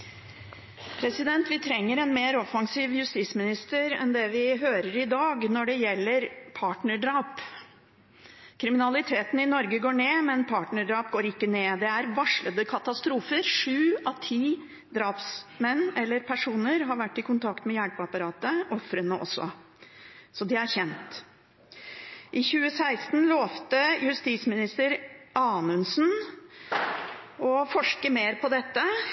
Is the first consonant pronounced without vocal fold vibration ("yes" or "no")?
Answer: yes